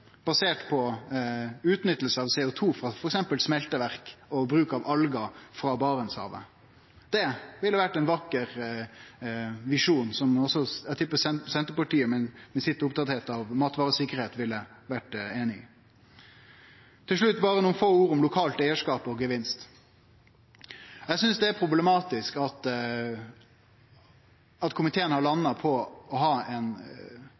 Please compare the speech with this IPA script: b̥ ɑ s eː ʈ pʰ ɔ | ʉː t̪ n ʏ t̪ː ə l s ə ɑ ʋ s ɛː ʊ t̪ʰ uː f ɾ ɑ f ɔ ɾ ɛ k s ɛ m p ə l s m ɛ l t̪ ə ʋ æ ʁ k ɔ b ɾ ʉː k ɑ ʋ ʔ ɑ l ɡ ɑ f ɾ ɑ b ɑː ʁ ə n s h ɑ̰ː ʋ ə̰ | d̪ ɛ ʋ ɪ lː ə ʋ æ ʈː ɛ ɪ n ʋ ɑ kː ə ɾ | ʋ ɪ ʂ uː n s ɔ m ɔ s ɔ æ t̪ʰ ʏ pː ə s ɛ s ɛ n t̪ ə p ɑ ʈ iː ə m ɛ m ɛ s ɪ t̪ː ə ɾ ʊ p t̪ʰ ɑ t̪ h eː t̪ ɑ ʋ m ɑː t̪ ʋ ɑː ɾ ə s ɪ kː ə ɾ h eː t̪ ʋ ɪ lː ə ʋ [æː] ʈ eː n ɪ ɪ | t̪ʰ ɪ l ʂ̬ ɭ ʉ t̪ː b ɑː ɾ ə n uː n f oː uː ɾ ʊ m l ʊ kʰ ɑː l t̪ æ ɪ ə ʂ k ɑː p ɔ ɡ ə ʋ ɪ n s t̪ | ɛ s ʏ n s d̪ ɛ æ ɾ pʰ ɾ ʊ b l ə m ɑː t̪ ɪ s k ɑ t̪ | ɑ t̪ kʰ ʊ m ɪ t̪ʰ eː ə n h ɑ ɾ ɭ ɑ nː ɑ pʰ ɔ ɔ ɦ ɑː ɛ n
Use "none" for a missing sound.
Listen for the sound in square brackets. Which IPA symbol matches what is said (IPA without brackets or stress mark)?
æ